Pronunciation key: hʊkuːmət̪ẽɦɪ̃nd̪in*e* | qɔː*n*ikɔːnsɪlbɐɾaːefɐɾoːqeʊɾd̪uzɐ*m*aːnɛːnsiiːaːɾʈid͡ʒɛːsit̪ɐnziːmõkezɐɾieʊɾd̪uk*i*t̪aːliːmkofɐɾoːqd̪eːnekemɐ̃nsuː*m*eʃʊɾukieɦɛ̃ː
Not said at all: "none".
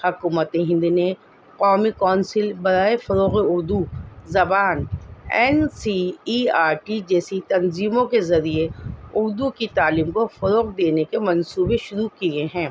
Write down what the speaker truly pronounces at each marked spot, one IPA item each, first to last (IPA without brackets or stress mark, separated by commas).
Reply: e, m, b, i, b